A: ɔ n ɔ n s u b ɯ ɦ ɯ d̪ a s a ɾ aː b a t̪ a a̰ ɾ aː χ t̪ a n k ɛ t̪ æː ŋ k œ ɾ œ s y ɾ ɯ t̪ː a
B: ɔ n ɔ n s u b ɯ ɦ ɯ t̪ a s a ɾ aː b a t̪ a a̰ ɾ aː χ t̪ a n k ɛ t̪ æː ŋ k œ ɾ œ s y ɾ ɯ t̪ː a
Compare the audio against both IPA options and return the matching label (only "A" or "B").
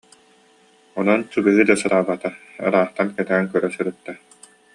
A